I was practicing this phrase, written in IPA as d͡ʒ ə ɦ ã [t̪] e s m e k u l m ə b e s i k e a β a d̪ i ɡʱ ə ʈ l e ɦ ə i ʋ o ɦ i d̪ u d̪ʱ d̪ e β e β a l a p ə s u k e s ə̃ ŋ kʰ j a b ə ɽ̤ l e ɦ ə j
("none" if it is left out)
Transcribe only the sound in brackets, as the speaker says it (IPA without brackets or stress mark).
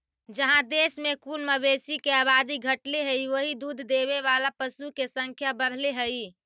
d̪